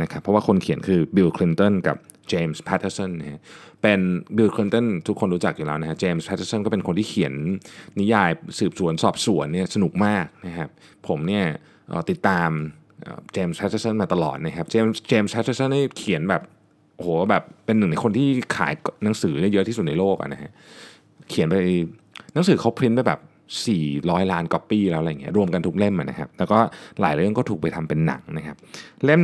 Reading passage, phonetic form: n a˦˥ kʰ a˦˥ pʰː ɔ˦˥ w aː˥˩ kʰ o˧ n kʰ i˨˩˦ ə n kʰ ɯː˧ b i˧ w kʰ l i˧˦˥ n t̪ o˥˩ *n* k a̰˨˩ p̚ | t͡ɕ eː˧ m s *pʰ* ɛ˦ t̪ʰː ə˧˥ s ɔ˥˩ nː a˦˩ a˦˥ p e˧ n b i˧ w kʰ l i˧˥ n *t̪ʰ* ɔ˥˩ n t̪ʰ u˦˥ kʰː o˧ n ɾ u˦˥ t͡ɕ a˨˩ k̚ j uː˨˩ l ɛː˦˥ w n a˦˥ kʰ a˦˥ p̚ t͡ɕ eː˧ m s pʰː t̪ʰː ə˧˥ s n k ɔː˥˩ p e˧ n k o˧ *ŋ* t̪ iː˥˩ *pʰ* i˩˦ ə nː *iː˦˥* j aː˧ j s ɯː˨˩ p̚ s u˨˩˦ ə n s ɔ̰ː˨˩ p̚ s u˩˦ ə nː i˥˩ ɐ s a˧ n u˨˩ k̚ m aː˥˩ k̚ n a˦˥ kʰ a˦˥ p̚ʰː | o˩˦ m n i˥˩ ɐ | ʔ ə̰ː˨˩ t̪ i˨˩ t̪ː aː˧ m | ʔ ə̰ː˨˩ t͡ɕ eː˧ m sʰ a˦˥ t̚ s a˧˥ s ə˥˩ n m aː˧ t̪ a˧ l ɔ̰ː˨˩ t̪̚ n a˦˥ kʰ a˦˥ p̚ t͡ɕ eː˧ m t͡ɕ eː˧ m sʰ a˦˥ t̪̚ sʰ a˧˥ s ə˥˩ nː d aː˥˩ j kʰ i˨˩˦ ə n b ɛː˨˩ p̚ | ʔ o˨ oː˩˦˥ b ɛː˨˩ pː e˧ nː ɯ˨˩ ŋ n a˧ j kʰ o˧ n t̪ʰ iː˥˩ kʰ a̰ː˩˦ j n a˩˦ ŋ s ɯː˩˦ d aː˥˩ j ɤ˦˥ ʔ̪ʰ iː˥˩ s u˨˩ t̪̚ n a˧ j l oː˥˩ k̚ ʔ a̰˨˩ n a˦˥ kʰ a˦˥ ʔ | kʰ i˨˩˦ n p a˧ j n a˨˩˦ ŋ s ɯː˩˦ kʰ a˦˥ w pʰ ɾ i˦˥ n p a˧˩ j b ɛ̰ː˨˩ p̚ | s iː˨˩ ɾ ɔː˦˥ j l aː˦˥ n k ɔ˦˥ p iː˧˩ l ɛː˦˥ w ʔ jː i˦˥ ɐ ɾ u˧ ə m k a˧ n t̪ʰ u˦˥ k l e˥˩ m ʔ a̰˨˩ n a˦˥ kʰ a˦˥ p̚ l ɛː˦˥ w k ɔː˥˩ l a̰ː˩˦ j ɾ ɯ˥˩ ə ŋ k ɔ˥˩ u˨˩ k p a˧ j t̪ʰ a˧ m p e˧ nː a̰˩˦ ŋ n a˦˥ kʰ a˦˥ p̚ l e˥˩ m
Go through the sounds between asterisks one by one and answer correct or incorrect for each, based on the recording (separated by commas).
correct, correct, incorrect, incorrect, incorrect, incorrect